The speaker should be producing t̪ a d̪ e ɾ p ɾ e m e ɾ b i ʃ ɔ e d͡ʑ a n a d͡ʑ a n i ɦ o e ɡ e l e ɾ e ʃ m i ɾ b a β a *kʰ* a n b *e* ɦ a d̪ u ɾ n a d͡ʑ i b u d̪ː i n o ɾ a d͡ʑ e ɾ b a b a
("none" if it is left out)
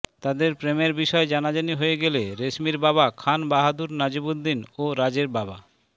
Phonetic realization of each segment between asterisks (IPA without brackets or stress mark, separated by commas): kʰ, a